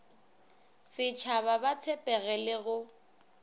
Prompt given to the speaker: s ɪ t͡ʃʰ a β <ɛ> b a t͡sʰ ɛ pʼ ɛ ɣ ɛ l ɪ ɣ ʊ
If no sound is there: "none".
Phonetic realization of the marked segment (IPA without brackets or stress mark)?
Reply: a